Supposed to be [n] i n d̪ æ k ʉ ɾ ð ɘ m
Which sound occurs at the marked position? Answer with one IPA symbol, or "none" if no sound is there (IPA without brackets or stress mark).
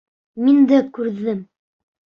m